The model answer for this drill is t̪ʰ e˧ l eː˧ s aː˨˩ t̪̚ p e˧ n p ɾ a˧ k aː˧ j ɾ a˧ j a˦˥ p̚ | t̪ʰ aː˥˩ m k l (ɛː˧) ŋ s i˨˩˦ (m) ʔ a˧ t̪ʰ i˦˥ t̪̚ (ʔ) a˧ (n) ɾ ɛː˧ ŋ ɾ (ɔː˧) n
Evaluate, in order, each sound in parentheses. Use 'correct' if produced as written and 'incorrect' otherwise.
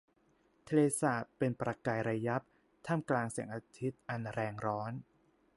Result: incorrect, incorrect, correct, correct, incorrect

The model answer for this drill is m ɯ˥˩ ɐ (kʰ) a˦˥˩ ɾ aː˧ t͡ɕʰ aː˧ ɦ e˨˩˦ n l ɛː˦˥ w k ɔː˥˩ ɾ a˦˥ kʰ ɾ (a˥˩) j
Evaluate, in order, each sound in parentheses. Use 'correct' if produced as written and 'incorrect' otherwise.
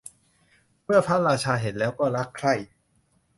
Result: incorrect, correct

